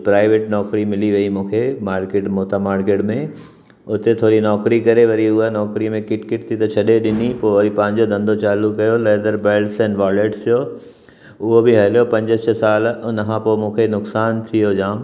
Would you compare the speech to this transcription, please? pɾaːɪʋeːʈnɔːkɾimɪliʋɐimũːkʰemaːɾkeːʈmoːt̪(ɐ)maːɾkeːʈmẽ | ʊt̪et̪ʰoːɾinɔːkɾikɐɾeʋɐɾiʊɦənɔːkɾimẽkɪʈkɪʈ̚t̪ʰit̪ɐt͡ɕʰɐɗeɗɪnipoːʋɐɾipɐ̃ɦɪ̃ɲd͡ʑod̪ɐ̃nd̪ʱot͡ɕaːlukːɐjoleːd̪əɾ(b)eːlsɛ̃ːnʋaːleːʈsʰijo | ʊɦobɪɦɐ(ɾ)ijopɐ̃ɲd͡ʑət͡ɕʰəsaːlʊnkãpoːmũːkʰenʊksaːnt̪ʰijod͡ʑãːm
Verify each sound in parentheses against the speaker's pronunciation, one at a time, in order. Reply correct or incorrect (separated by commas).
incorrect, correct, incorrect